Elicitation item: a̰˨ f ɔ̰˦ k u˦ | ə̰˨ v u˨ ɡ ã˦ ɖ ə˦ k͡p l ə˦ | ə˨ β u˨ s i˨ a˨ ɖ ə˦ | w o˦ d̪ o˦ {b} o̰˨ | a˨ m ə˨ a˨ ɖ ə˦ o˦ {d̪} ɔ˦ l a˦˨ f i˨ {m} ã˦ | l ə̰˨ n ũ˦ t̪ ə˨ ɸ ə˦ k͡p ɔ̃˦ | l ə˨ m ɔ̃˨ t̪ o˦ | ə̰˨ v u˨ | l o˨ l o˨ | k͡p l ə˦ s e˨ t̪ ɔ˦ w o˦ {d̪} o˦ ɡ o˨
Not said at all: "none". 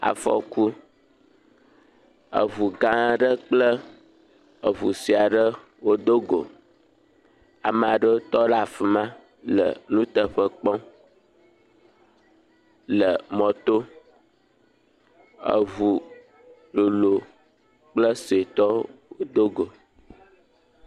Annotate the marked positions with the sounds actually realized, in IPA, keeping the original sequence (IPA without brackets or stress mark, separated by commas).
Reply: ɡ, t̪, m, d̪